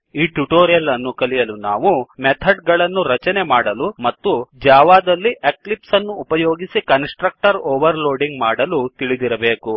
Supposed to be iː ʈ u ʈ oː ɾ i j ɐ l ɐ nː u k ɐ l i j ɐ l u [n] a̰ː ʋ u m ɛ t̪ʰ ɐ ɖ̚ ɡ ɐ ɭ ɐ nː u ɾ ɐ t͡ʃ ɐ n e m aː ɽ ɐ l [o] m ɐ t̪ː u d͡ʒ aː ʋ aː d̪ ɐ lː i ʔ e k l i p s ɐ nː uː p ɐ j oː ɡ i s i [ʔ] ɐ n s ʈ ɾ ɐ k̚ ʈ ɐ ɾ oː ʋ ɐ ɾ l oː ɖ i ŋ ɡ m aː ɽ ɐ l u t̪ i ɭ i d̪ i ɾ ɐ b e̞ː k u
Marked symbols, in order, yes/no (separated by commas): yes, no, no